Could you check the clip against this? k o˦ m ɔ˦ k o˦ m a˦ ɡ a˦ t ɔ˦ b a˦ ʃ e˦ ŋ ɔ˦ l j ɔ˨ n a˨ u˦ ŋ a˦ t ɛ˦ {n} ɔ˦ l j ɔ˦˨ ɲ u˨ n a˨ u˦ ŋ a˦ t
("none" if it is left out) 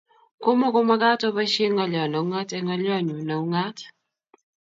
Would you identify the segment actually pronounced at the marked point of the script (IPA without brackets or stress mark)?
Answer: ŋ